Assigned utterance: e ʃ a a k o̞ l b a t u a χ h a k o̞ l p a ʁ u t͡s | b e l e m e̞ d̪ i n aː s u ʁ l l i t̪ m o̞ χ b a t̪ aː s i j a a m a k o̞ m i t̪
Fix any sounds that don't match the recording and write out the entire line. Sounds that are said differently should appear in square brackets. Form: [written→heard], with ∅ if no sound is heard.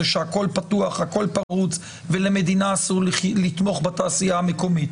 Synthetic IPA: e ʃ [a→e] a k o̞ l [b→p] a t u a χ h a k o̞ l p a ʁ u t͡s | [b→v] e l e m e̞ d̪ i n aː s u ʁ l l i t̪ m o̞ χ b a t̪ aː s i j a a m [a→e] k o̞ m i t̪